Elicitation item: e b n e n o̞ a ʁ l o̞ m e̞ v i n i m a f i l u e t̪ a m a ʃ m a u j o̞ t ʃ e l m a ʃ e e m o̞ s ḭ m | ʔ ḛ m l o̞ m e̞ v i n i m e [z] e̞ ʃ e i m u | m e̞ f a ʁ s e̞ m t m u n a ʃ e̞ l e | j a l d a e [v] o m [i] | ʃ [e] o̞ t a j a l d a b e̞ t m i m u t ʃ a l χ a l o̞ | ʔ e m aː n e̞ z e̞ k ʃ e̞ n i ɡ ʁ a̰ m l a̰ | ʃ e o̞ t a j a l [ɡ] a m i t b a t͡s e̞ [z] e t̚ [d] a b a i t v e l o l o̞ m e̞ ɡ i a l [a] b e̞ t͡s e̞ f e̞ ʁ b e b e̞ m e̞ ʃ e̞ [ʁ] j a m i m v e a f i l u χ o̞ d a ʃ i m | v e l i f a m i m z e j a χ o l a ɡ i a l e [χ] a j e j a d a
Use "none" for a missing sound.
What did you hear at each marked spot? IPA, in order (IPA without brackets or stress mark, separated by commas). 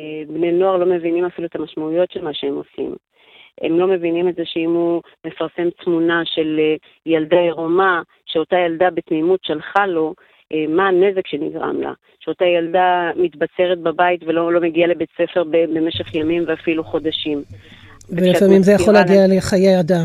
z, ʁ, a, e, d, ʁ, b, e, χ, χ